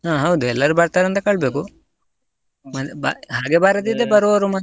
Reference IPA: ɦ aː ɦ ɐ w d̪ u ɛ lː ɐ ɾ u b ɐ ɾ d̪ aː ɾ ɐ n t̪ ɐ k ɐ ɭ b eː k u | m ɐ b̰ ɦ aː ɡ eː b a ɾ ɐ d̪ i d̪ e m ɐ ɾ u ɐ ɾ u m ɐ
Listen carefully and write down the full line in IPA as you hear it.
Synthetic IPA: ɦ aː ɦ ɐ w d̪ u ɛ lː ɐ ɾ u b ɐ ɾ t̪ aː ɾ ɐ n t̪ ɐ k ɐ ɭ b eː k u | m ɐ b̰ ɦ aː ɡ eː b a ɾ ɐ d̪ i d̪ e b ɐ ɾ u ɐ ɾ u m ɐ